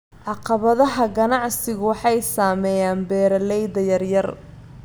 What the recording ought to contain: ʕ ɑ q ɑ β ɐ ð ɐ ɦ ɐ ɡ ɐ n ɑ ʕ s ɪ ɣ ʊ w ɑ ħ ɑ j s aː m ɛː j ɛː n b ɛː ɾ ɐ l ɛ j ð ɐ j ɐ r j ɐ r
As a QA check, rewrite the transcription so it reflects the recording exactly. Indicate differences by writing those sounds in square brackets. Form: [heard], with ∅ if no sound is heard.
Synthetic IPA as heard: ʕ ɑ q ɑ β ɐ ð ɐ ɦ ɐ ɡ ɐ n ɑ ʕ s ɪ ɣ ʊ w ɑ ħ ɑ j s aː m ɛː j [aː] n b ɛː ɾ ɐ l ɛ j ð ɐ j ɐ r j ɐ r